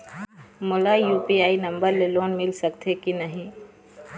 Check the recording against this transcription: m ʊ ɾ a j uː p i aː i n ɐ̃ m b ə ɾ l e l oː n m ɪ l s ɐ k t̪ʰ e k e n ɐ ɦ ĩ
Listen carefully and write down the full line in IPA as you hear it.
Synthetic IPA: m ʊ l a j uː p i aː i n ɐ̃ m b ə ɾ l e l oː n m ɪ l s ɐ k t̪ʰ e k i n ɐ ɦ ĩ